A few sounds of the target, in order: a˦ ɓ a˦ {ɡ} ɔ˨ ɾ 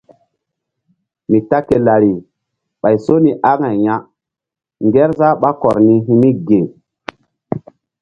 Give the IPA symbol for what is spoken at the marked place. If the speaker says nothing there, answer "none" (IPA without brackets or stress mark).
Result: k